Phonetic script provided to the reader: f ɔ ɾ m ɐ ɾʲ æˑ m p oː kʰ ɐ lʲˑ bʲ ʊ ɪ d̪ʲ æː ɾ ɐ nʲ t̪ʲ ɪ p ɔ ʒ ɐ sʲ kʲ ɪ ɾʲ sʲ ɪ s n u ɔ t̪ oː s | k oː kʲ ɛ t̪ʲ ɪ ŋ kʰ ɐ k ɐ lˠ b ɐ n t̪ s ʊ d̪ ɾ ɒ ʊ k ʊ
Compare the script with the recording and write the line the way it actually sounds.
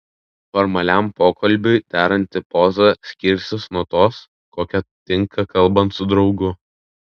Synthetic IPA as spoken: f ɔ ɾ m ɐ lʲ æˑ m p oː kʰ ɐ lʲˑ bʲ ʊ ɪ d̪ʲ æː ɾ ɐ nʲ t̪ʲ ɪ p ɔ z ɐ sʲ kʲ ɪ ɾʲ sʲ ɪ s n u ɔ t̪ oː s | k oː kʲ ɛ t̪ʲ ɪ ŋ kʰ ɐ k ɐ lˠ b ɐ n t̪ s ʊ d̪ ɾ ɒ ʊ ɡ ʊ